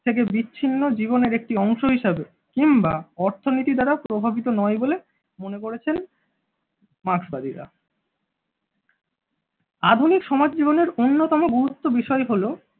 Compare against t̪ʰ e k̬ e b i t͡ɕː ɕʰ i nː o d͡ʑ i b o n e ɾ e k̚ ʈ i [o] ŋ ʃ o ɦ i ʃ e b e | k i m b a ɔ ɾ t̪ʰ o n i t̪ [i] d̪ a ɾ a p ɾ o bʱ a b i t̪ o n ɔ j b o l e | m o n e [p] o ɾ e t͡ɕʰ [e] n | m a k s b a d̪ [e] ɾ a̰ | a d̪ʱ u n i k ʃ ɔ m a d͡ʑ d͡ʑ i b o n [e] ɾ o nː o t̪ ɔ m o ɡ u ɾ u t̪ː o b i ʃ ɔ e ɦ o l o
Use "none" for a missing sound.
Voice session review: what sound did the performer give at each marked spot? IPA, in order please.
ɔ, i, k, e, i, e

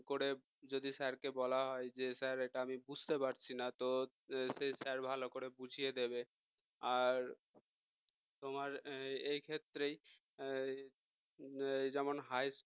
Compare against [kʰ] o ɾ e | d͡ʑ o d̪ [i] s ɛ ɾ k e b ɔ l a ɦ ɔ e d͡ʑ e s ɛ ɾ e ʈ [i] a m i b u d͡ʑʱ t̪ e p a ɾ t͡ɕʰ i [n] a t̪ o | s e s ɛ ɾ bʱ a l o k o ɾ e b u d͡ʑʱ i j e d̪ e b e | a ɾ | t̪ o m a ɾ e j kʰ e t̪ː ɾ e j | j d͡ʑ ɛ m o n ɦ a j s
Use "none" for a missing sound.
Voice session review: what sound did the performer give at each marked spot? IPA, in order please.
k, i, a, n

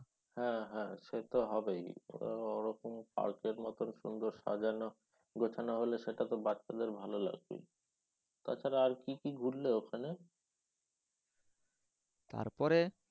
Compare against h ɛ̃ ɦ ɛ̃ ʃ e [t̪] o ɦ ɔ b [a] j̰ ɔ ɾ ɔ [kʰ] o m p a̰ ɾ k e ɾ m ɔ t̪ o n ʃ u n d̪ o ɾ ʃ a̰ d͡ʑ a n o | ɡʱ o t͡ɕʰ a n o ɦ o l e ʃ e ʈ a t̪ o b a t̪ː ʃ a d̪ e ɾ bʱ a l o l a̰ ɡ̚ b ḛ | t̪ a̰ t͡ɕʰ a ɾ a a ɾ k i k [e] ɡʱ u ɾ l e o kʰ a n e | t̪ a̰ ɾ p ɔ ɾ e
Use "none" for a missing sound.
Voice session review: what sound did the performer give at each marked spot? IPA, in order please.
t̪, e, k, i

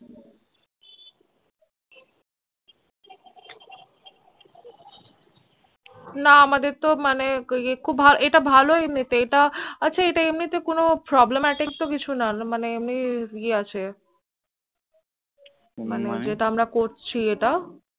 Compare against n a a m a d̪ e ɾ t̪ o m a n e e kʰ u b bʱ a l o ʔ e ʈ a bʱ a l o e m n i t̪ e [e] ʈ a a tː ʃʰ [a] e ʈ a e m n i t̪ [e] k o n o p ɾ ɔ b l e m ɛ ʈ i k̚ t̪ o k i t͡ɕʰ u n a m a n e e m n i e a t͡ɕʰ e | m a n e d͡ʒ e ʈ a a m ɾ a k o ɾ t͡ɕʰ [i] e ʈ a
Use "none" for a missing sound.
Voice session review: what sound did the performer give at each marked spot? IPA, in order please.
e, a, e, i

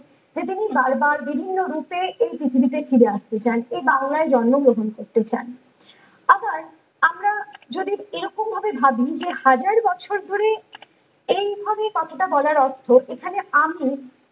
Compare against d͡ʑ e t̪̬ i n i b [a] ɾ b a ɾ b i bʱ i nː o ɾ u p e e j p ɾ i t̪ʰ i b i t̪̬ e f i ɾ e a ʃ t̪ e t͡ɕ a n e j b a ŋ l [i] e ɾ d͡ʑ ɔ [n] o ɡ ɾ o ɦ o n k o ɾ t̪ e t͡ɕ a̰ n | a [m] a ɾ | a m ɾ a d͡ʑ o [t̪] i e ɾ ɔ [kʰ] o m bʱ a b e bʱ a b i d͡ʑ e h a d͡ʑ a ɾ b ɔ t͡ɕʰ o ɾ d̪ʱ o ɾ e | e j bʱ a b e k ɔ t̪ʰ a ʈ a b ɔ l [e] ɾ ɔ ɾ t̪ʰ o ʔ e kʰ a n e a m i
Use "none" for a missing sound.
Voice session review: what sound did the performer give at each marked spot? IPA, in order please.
a, a, nː, b, d̪, k, a

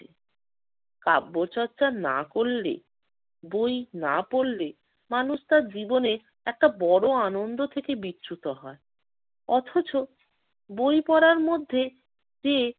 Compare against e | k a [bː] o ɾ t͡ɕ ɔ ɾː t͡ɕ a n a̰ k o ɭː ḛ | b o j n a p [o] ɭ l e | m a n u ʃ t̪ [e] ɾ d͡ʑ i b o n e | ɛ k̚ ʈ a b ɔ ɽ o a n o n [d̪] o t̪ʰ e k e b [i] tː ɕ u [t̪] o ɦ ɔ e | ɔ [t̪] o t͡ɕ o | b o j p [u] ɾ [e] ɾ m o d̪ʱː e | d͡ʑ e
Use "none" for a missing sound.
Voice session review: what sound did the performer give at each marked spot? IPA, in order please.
bː, o, a, d̪, i, t̪, t̪ʰ, ɔ, a

